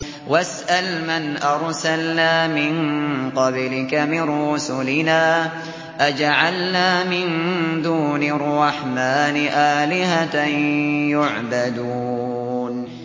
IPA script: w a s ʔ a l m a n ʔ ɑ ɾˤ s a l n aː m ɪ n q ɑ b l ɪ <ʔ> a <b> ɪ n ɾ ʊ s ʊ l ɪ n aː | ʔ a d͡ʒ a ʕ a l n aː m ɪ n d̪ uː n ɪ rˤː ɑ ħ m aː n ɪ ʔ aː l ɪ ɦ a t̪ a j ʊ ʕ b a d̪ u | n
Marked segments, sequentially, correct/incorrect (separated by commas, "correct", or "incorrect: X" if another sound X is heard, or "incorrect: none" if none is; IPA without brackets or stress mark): incorrect: k, incorrect: m